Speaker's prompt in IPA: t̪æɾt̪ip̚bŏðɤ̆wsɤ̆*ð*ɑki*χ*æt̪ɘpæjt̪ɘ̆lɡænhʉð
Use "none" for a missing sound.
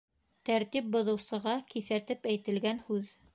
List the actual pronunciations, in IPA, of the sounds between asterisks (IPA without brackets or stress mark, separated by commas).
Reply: ʁ, θ